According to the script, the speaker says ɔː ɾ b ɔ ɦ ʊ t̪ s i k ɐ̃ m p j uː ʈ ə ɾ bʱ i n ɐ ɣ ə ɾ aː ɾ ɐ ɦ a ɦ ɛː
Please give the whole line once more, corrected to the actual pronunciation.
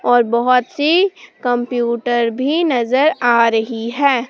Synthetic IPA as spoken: ɔː ɾ b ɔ ɦ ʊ t̪ s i k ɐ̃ m p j uː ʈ ə ɾ bʱ i n ɐ z ə ɾ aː ɾ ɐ ɦ i ɦ ɛː

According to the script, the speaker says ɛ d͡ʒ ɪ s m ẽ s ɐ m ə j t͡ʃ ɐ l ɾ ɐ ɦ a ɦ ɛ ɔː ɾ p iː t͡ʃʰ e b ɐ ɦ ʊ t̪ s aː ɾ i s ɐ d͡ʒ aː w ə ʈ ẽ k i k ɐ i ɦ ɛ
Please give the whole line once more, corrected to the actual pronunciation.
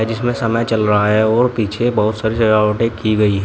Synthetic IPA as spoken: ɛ d͡ʒ ɪ s m ẽ s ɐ m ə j t͡ʃ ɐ l ɾ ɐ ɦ a ɦ ɛ ɔː ɾ p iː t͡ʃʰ e b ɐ ɦ ʊ t̪ s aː ɾ i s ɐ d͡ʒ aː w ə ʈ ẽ k i ɡ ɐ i ɦ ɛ

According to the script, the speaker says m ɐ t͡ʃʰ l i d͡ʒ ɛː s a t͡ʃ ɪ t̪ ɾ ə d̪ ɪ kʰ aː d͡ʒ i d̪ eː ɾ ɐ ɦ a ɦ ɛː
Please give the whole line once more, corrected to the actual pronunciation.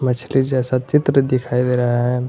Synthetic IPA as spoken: m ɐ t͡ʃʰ l i d͡ʒ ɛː s a t͡ʃ ɪ t̪ ɾ ə d̪ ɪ kʰ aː i d̪ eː ɾ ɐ ɦ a ɦ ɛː

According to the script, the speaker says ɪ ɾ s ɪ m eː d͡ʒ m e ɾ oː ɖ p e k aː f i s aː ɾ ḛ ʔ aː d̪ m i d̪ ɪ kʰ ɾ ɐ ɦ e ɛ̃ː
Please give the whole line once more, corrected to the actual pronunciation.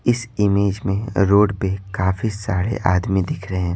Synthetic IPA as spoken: ɪ s ɪ m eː d͡ʒ m ẽ ɾ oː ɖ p e k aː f i s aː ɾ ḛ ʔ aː d̪ m i d̪ ɪ kʰ ɾ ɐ ɦ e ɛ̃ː

